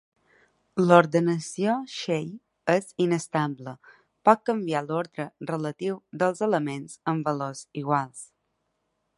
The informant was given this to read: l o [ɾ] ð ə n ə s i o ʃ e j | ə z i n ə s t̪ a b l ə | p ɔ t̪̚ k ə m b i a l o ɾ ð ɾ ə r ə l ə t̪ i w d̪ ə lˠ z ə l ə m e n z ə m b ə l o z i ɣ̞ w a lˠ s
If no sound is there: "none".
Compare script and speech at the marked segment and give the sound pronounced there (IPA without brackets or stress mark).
ɾ